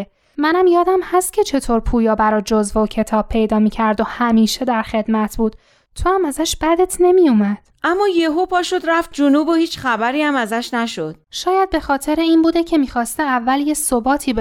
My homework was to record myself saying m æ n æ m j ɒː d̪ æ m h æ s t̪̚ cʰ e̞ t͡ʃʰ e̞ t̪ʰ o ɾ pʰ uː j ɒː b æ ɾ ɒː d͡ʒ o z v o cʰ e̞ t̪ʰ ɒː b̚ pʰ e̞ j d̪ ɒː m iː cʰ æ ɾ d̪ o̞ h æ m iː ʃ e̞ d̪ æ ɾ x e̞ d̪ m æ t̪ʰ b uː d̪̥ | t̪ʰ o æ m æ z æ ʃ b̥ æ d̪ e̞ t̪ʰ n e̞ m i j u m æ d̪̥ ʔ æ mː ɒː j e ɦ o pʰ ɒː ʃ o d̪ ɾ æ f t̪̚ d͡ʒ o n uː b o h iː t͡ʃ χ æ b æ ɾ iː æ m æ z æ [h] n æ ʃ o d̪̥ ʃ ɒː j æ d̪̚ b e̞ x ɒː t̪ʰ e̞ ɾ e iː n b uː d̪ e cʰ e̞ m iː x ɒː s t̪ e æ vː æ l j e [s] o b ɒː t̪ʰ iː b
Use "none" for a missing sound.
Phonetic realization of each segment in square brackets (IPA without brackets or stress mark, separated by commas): ʃ, s